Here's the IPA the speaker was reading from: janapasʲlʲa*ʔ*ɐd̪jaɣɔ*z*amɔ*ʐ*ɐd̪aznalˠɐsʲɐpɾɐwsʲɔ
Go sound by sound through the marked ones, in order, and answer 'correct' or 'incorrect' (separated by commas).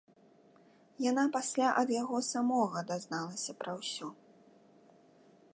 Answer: correct, incorrect, incorrect